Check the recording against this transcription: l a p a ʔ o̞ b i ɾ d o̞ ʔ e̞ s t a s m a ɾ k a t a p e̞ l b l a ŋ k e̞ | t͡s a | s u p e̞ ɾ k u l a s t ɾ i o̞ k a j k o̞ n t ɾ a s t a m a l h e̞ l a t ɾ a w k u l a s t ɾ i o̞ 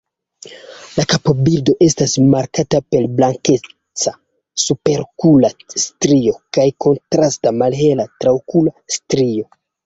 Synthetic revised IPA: l a k a p o̞ b i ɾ d o̞ ʔ e̞ s t a s m a ɾ k a t a p e̞ l b l a ŋ k e̞ | t͡s a | s u p e̞ ɾ k u l a s t ɾ i o̞ k a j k o̞ n t ɾ a s t a m a l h e̞ l a t ɾ a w k u l a s t ɾ i o̞